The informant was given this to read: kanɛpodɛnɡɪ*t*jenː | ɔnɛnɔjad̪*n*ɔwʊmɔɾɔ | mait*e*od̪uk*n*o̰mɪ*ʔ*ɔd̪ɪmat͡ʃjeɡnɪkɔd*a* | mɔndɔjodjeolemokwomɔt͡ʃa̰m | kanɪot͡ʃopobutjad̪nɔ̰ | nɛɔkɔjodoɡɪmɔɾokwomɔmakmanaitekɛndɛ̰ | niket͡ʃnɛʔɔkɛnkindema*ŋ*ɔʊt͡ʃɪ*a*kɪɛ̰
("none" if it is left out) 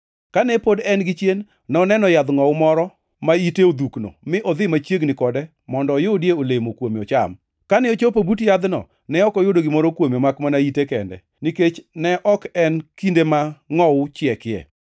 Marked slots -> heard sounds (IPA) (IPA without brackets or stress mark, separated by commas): t͡ʃ, ŋ, e, n, ʔ, ɛ, ŋ, ɛ